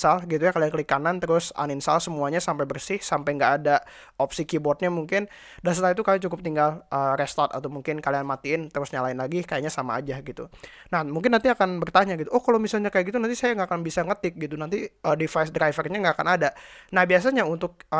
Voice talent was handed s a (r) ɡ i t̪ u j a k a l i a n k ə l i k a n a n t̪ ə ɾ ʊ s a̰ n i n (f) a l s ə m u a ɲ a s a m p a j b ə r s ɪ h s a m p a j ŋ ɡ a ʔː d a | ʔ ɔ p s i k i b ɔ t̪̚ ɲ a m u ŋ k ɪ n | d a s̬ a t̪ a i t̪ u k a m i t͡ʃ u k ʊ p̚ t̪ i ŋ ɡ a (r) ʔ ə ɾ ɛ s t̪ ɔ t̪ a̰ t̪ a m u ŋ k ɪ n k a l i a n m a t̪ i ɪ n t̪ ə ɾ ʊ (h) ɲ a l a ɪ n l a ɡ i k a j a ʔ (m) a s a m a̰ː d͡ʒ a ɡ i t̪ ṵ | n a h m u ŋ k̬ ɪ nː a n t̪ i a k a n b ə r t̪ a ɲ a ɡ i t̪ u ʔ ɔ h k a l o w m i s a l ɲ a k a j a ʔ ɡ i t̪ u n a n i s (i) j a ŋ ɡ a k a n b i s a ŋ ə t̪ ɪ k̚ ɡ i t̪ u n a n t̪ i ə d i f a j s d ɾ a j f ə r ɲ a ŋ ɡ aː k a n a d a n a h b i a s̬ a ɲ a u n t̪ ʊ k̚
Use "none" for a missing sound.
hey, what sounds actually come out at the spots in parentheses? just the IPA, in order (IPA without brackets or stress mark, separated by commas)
l, s, l, s, ɲ, a